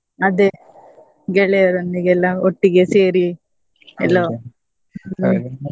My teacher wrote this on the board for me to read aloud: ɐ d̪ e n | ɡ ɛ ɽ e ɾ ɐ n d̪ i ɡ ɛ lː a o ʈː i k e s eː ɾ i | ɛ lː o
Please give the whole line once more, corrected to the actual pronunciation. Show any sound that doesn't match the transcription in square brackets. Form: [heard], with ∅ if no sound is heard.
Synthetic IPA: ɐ d̪ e [∅] | ɡ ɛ [ɭ] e ɾ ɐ n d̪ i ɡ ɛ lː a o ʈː i [ɡ] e s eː ɾ i | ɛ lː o